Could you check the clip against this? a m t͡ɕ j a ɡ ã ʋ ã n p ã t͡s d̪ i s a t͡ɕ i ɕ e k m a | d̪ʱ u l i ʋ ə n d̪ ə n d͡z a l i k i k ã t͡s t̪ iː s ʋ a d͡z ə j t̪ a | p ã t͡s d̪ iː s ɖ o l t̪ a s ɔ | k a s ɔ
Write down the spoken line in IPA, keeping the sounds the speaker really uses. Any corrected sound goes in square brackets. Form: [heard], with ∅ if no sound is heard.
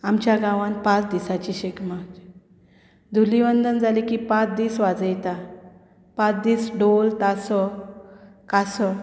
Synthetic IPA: a m t͡ɕ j a ɡ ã ʋ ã n p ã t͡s d̪ i s a t͡ɕ i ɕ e k m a | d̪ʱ u l i ʋ ə n d̪ ə n d͡z a l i k i [p] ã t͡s [d̪] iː s ʋ a d͡z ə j t̪ a | p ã t͡s d̪ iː s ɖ o l t̪ a s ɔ | k a s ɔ